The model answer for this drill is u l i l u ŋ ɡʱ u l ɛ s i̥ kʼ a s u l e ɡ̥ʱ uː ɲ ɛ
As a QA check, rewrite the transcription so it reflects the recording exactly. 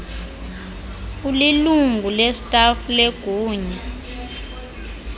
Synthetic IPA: u l i l u ŋ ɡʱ u l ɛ s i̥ tʼ a f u l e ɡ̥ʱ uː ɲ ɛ